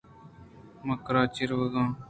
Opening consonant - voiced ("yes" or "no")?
yes